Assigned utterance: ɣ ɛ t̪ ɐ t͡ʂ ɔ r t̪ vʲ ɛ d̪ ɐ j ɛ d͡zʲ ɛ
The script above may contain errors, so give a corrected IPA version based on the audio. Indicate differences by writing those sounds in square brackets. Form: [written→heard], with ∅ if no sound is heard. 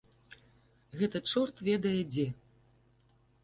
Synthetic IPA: ɣ ɛ t̪ ɐ t͡ʂ ɔ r t̪ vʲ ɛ d̪ ɐ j ɛ d͡zʲ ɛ